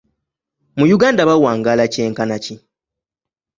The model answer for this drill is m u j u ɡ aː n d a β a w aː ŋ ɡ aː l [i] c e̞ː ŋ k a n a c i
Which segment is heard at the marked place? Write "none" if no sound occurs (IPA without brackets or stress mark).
a